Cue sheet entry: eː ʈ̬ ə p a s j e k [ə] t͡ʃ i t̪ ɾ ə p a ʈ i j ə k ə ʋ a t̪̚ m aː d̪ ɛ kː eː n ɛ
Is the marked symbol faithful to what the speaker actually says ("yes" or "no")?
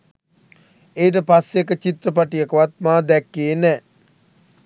yes